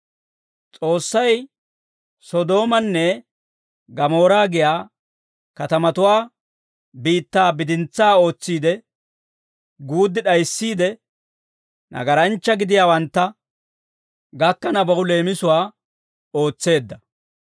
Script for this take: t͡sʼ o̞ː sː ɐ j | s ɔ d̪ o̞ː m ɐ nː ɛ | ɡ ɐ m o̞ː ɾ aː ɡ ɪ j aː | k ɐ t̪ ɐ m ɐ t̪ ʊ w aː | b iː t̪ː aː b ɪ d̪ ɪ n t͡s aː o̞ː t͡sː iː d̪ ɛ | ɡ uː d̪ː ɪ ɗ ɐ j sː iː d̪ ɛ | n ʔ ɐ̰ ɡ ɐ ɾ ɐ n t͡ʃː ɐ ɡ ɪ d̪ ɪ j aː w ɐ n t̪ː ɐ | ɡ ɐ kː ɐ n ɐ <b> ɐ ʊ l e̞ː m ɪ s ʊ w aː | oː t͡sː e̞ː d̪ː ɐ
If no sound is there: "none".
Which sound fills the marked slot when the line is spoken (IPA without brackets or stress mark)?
b